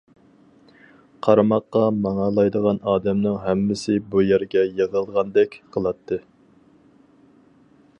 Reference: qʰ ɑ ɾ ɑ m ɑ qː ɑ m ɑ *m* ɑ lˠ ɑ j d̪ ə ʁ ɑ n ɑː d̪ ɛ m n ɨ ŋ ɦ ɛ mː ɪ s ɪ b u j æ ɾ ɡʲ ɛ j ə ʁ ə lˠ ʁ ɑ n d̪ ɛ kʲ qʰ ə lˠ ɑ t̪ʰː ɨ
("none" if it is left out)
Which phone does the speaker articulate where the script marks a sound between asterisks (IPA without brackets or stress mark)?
ŋ